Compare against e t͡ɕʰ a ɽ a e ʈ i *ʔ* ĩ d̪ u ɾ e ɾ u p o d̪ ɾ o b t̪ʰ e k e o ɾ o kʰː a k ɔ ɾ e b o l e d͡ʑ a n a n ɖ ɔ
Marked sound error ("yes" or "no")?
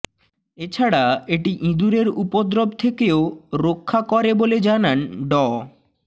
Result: no